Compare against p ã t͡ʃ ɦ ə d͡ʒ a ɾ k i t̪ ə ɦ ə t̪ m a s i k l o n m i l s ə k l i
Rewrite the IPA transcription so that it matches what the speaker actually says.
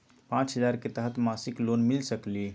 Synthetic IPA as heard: p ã t͡ʃ ɦ ə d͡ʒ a ɾ k e t̪ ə ɦ ə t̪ m a s i k l o n m i l s ə k l i